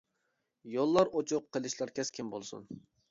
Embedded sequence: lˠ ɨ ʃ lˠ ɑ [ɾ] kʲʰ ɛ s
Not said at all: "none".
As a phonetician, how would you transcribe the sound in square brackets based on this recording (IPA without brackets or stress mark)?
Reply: ɾ